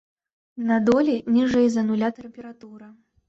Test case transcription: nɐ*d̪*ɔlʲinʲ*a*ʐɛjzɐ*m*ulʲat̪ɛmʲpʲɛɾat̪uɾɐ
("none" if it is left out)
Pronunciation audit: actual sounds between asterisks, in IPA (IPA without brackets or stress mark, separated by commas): d̪, i, n